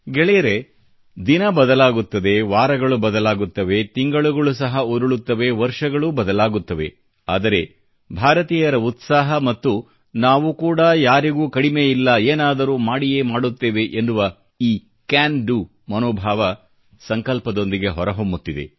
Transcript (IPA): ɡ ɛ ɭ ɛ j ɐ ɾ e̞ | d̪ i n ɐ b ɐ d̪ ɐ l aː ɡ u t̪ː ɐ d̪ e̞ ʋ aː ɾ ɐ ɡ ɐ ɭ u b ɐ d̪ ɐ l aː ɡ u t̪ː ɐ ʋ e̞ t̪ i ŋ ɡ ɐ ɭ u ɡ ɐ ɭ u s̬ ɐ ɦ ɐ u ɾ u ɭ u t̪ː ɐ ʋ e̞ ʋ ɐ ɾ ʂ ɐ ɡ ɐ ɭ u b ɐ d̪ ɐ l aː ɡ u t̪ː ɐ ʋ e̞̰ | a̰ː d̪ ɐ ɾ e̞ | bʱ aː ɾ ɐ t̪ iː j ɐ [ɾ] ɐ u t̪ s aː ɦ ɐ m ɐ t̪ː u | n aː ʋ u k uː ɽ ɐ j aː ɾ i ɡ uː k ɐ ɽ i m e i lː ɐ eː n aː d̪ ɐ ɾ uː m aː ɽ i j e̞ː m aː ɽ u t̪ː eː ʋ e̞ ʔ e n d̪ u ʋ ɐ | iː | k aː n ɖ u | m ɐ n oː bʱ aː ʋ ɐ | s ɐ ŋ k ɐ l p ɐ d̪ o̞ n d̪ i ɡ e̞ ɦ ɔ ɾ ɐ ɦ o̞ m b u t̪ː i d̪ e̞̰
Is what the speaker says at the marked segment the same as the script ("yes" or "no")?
yes